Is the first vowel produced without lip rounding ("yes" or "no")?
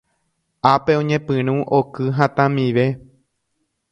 yes